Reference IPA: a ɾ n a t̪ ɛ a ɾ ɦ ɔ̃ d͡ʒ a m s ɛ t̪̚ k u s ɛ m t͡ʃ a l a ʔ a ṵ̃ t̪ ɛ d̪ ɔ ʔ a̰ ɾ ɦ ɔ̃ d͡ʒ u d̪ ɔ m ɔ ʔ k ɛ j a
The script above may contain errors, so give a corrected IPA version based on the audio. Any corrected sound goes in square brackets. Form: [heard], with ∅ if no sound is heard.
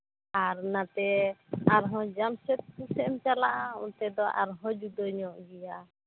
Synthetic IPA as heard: a ɾ n a t̪ ɛ a ɾ ɦ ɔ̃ d͡ʒ a m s ɛ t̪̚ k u s ɛ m t͡ʃ a l a ʔ a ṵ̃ t̪ ɛ d̪ ɔ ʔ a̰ ɾ ɦ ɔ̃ d͡ʒ u d̪ ɔ [ɲ] ɔ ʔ [ɡ] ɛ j a